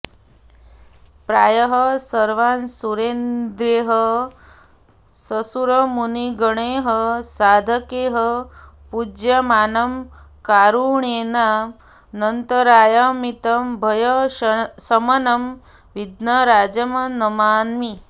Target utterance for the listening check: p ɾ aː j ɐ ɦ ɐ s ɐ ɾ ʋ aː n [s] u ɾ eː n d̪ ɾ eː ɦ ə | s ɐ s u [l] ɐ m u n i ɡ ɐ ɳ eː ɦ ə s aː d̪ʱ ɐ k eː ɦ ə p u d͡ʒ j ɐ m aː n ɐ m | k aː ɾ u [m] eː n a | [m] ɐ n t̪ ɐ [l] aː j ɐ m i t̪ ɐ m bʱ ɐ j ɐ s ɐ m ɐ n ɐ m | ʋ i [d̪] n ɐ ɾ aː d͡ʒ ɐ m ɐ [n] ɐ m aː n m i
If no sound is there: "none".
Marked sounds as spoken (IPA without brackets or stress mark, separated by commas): s, ɾ, ɳ, n, ɾ, d̪, n